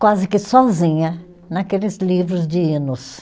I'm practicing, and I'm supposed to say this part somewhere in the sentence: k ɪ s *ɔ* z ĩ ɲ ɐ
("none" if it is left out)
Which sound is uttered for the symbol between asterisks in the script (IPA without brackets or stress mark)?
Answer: ɔ